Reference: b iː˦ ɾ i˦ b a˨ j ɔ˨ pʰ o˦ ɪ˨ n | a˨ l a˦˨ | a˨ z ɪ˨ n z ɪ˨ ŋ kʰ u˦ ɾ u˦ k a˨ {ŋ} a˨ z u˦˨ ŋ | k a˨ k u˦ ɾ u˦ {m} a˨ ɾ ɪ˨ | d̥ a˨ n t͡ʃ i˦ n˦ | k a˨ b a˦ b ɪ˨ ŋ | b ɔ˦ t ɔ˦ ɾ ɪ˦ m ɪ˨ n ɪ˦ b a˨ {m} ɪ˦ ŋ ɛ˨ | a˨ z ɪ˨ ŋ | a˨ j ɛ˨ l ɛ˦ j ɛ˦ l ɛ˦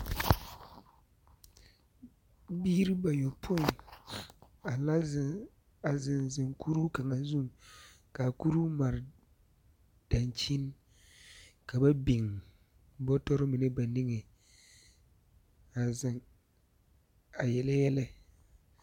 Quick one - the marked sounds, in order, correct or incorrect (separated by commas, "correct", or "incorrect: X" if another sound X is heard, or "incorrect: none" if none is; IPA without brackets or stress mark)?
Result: correct, correct, incorrect: n